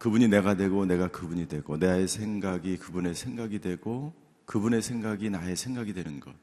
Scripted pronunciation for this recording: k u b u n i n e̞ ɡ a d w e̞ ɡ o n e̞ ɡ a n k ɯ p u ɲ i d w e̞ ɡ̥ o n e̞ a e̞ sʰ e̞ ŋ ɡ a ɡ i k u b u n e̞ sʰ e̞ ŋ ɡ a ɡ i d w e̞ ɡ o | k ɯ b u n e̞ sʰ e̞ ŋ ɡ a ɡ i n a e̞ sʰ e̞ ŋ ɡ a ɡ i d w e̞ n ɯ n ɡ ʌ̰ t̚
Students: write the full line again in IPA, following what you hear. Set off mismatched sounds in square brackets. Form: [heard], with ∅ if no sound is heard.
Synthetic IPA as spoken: k [ɯ] b u [ɲ] i n e̞ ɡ a d w e̞ ɡ o n e̞ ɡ a [∅] k ɯ [b] u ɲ i d w e̞ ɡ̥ o n e̞ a e̞ sʰ e̞ ŋ ɡ a ɡ i k [ɯ] b u n e̞ sʰ e̞ ŋ ɡ a ɡ i d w e̞ ɡ o | k ɯ b u n e̞ sʰ e̞ ŋ ɡ a ɡ i n a e̞ sʰ e̞ ŋ ɡ a ɡ i d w e̞ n ɯ n ɡ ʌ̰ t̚